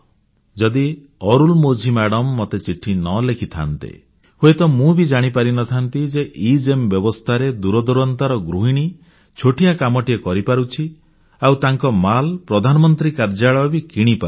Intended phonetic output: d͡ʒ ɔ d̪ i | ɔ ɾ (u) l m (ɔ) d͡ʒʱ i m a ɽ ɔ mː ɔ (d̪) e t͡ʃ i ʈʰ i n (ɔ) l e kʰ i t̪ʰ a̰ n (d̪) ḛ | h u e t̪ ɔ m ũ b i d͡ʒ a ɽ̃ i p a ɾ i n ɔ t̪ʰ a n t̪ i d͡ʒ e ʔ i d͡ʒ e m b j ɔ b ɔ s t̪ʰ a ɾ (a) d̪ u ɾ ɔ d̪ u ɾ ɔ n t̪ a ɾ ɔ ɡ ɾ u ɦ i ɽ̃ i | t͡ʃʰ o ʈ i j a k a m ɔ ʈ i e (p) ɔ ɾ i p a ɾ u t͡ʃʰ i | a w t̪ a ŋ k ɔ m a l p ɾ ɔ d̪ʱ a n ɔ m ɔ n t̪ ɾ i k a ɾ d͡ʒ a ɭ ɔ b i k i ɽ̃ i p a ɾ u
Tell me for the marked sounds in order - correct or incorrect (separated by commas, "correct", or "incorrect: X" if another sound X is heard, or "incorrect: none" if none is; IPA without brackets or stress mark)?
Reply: correct, incorrect: o, incorrect: t̪, correct, incorrect: t̪, incorrect: e, incorrect: k